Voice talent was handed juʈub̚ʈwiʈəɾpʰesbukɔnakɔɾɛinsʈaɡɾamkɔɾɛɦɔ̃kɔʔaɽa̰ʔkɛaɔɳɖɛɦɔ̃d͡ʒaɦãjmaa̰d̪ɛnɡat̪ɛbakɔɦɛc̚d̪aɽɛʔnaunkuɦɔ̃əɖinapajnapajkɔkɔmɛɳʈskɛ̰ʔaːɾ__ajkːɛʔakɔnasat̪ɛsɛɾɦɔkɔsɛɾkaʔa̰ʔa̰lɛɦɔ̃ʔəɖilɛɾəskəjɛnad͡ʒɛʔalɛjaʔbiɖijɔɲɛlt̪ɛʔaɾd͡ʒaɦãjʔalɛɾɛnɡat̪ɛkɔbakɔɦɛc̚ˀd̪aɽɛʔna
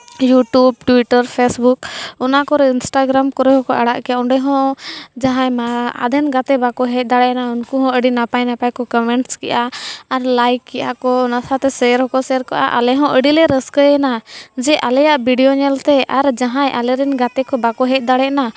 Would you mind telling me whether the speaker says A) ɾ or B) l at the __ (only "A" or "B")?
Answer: B